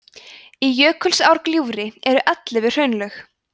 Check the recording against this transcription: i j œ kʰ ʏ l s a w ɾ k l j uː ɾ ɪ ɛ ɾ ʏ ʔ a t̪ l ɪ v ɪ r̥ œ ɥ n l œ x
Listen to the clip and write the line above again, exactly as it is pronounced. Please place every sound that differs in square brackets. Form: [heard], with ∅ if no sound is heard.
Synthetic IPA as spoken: i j [œː] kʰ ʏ l s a w ɾ k l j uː ɾ ɪ ɛ ɾ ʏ ʔ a t̪ l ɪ v ɪ r̥ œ ɥ n l œ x